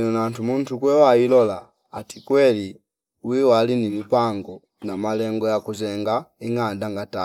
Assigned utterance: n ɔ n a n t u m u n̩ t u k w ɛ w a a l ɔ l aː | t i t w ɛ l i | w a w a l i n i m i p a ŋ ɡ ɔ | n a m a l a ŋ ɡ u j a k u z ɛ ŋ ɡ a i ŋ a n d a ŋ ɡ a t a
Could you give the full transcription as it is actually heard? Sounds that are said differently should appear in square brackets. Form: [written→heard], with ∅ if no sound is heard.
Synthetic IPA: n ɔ n a n t u m u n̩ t u k w ɛ w a [a→i] l ɔ l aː | t i [t→k] w ɛ l i | w [a→i] w a l i n i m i p a ŋ ɡ ɔ | n a m a l [a→ɛ] ŋ ɡ [u→ɔ] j a k u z ɛ ŋ ɡ a i ŋ a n d a ŋ ɡ a t a